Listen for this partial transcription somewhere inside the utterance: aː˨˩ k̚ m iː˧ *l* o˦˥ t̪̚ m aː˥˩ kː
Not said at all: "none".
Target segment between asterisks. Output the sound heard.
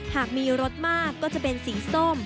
ɾ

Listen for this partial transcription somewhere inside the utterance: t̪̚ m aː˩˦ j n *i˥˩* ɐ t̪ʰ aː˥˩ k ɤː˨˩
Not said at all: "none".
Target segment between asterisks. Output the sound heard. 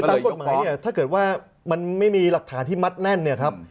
i˥˩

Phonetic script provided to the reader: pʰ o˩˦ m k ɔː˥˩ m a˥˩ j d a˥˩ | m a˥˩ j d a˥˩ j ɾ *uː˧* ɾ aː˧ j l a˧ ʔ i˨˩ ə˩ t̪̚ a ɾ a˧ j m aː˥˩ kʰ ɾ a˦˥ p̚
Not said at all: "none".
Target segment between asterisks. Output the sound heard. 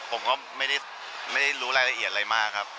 uː˦˥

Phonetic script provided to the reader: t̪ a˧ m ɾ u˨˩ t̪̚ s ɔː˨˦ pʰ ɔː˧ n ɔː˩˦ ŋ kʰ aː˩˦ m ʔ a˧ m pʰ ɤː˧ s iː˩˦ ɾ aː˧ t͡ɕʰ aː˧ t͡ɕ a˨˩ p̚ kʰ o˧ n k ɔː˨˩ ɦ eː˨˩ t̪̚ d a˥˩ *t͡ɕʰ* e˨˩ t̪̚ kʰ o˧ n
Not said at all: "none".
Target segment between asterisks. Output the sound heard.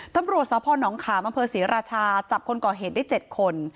t͡ɕ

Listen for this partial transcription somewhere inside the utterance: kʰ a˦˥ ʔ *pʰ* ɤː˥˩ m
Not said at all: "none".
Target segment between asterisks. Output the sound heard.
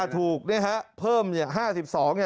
pʰ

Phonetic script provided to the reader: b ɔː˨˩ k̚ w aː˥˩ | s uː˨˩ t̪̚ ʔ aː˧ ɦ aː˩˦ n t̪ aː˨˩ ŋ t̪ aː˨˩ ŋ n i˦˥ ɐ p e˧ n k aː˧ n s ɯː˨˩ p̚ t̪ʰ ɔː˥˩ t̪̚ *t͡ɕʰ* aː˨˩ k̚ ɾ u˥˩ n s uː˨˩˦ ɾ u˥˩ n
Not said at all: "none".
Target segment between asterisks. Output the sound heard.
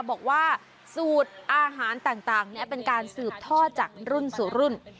t͡ɕ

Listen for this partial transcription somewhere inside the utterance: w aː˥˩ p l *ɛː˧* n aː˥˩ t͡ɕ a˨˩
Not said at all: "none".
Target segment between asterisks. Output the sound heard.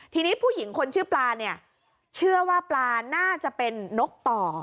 aː˧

